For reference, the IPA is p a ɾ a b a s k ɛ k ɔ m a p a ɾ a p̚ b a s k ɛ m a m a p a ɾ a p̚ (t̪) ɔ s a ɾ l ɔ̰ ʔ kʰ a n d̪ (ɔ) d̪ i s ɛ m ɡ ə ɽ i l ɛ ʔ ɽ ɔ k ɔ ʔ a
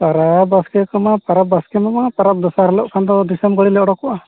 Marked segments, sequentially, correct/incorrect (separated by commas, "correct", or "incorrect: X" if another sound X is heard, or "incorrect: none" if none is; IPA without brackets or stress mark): incorrect: d̪, correct